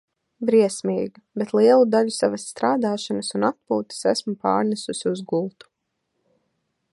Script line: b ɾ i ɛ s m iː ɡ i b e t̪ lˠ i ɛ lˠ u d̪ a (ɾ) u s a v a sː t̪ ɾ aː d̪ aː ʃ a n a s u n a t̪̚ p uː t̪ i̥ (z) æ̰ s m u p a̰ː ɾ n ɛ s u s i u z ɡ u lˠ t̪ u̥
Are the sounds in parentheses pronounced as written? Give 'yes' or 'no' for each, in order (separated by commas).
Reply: no, no